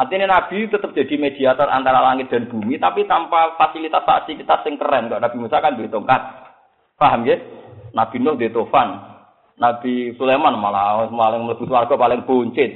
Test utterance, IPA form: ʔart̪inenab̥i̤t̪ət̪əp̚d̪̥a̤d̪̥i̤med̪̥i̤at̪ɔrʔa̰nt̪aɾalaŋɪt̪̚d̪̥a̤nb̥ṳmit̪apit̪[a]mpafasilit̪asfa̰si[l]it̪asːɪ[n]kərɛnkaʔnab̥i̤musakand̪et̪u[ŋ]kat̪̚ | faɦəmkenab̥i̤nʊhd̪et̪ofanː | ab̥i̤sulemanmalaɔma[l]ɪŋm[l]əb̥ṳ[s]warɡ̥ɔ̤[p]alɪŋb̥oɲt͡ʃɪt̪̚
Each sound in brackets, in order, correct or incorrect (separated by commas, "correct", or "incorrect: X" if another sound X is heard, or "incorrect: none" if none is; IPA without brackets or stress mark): correct, correct, incorrect: ŋ, correct, correct, correct, correct, correct